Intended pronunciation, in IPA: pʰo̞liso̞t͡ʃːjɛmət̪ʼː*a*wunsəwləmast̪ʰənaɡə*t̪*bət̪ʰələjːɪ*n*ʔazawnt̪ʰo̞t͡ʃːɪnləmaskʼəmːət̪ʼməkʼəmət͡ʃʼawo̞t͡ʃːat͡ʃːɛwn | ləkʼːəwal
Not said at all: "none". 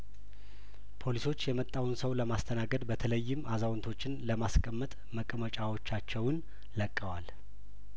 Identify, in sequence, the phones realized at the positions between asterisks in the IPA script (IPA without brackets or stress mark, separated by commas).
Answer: a, d̪, m